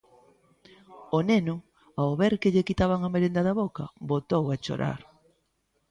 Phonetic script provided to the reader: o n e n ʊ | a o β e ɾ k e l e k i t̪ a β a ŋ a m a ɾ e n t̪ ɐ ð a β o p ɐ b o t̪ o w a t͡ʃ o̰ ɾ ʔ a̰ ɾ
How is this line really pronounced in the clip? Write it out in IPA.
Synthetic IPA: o n e n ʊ | a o β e ɾ k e ʎ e k i t̪ a β a ŋ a m e ɾ e n d̪ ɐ ð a β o k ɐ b o t̪ o w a t͡ʃ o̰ ɾ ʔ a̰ ɾ

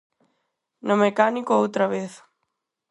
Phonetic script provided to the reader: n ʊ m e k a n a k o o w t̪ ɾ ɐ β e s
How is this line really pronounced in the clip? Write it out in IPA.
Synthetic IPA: n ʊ m e k a n i k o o w t̪ ɾ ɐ β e θ

